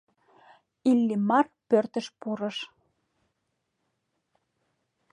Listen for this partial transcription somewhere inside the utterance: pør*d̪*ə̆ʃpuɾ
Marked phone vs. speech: incorrect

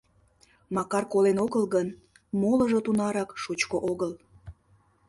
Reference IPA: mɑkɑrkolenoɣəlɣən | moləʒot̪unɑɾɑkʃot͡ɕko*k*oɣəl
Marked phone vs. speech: incorrect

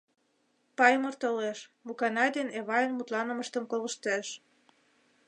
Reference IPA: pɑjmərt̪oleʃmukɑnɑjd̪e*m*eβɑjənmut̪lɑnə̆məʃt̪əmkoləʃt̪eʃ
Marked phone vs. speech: incorrect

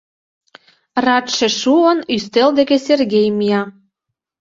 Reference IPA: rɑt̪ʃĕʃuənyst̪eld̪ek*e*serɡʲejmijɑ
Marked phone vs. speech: correct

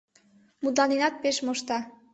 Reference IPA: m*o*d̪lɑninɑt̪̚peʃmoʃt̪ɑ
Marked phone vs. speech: incorrect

